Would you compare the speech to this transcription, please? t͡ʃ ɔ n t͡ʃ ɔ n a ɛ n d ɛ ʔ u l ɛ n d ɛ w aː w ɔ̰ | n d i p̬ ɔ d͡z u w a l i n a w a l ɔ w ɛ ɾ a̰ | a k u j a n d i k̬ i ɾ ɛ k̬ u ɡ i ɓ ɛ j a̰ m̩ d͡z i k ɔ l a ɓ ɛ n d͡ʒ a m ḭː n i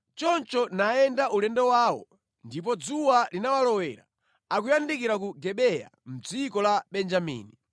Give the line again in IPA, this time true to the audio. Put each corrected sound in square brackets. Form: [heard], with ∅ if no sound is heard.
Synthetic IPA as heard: t͡ʃ ɔ n t͡ʃ ɔ n a ɛ n d [a] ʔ u l ɛ n d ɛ w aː w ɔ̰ | n d i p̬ ɔ d͡z u w a l i n a w a l ɔ w ɛ ɾ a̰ | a k u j a n d i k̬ i ɾ [a] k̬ u ɡ [ɛ] ɓ ɛ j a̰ m̩ d͡z i k ɔ l a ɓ ɛ n d͡ʒ a m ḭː n i